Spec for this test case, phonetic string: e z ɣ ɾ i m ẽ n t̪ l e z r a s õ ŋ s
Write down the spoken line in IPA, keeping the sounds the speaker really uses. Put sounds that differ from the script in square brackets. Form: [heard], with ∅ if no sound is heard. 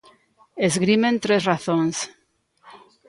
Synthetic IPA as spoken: e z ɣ ɾ i m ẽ n t̪ [ɾ] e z r a [θ] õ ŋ s